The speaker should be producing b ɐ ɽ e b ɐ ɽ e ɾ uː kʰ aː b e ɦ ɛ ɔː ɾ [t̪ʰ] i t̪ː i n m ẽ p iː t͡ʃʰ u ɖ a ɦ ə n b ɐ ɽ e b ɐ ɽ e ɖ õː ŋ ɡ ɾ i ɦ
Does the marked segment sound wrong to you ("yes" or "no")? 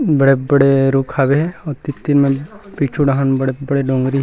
yes